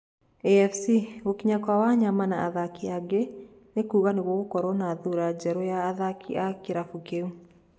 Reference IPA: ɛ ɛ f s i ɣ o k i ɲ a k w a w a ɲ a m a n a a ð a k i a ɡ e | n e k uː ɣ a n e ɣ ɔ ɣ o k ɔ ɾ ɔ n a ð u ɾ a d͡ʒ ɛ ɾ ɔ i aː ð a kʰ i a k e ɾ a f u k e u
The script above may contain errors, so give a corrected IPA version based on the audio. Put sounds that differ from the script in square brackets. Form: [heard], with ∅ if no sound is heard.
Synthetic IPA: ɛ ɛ f s i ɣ o k i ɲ a k w a w a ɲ a m a n a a ð a k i a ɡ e | n e k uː ɣ a n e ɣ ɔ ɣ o k ɔ ɾ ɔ n a ð u ɾ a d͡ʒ ɛ ɾ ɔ [j] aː ð a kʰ i a k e ɾ a f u k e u